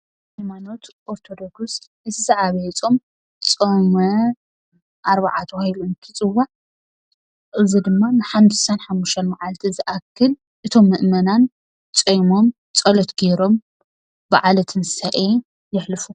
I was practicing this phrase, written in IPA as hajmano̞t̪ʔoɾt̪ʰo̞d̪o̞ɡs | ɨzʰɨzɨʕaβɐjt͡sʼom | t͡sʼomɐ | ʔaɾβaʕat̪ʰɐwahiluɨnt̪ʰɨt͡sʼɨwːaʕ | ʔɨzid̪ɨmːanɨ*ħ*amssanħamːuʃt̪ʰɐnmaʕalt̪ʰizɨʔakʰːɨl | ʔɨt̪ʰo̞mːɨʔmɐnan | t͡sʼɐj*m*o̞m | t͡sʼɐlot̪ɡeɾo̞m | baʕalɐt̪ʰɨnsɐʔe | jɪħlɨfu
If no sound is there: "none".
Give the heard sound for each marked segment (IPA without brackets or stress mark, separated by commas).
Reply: ħ, m